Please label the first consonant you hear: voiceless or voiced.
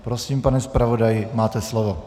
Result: voiceless